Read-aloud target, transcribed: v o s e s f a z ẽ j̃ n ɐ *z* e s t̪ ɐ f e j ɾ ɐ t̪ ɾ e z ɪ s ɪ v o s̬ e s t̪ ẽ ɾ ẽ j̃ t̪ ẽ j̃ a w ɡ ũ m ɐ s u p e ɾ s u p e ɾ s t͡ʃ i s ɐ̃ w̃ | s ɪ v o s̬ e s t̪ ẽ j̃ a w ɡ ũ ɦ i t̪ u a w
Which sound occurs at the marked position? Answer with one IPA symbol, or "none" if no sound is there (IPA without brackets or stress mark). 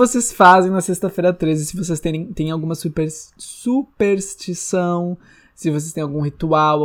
s